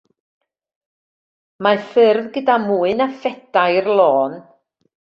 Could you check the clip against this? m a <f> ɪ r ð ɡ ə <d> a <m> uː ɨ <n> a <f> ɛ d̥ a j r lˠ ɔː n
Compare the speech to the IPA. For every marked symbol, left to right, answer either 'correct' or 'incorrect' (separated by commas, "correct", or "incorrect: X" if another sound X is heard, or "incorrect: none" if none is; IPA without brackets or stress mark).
correct, correct, correct, correct, correct